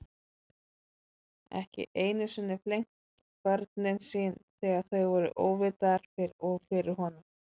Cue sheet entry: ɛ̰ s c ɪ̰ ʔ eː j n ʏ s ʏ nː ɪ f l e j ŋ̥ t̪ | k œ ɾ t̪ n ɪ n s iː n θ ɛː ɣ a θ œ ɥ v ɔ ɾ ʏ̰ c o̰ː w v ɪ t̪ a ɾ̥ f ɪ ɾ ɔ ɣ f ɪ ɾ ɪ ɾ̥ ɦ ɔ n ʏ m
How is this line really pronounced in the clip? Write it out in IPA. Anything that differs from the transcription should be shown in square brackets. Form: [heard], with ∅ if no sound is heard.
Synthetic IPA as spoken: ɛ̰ [h] c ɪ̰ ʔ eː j n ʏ s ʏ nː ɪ f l e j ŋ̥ t̪ | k œ ɾ t̪ n ɪ n s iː n θ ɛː ɣ a θ œ ɥ v ɔ ɾ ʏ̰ [ʔ] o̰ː w v ɪ t̪ a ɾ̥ f ɪ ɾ ɔ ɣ f ɪ ɾ ɪ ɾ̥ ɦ ɔ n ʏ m